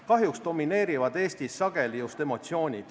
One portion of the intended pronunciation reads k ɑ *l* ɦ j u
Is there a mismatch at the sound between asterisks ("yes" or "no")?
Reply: yes